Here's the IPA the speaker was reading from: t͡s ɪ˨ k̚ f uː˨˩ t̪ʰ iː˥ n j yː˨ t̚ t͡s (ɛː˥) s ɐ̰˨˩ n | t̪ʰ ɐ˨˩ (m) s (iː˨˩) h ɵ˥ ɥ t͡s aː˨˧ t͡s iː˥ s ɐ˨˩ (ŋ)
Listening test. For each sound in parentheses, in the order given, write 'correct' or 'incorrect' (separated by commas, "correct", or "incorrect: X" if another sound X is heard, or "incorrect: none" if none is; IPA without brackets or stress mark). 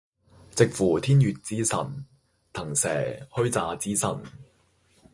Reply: incorrect: iː˥, incorrect: ŋ, incorrect: ɛː˨˩, incorrect: n